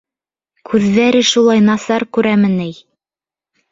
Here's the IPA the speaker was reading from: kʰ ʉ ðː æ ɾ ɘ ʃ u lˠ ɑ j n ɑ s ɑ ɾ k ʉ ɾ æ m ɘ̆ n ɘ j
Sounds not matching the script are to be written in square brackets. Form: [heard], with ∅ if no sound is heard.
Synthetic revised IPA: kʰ ʉ ðː æ ɾ ɘ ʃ u lˠ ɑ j n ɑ s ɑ ɾ k ʉ ɾ æ m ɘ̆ n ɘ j